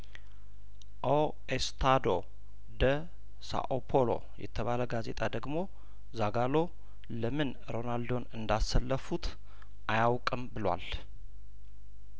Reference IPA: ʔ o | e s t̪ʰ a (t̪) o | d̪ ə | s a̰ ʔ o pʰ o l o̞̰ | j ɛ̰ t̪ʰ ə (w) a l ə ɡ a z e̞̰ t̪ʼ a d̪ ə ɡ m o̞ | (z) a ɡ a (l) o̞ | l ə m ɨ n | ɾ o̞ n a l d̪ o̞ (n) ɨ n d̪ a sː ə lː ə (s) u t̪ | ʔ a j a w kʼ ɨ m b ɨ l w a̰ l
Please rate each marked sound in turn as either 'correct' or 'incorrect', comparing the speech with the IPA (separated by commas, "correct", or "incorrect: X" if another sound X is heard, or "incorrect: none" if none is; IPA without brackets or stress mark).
incorrect: d̪, incorrect: β, correct, correct, correct, incorrect: f